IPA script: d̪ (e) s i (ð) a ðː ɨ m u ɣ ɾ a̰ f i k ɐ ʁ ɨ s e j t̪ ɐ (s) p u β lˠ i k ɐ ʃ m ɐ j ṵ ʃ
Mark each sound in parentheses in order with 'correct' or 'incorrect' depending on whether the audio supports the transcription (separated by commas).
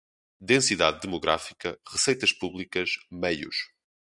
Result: incorrect, correct, incorrect